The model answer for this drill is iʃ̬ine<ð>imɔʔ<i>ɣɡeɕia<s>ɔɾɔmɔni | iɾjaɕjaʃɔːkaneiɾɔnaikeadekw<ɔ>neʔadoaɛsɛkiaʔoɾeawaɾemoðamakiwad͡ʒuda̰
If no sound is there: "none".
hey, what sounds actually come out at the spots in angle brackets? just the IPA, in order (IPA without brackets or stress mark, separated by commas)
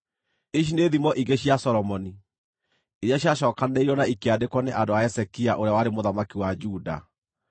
ð, i, s, ɔ